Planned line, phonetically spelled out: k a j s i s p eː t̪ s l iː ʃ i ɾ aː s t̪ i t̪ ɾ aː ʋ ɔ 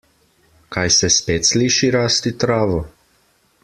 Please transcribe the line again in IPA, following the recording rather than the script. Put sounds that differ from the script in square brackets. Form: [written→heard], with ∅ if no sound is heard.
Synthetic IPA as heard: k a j s [i→ɛ] s p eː t̪ s l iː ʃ i ɾ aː s t̪ i t̪ ɾ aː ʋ ɔ